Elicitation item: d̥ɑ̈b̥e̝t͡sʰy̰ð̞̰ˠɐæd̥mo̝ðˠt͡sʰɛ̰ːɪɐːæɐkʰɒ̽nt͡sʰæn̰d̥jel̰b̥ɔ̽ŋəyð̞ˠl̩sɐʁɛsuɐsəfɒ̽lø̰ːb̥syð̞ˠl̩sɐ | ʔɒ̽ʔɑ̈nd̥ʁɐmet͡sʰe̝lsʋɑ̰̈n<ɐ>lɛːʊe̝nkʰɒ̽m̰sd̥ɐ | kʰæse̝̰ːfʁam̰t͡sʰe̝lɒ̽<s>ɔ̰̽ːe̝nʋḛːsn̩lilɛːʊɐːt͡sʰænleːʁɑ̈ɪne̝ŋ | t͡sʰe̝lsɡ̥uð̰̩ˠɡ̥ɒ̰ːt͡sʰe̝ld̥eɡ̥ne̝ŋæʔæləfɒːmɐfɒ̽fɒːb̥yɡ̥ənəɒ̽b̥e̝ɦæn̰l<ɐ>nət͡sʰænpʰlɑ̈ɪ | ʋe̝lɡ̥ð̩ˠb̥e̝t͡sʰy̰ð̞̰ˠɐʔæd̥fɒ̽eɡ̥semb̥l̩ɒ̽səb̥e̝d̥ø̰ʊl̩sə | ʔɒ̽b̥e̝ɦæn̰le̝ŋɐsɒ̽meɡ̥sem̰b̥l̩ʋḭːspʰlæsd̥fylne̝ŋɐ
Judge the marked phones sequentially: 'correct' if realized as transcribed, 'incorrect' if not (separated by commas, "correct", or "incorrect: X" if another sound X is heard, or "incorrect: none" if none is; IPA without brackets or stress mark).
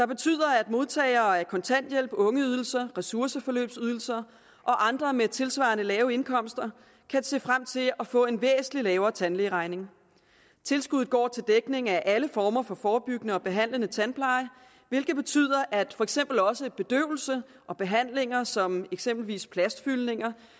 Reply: incorrect: ə, incorrect: f, incorrect: ə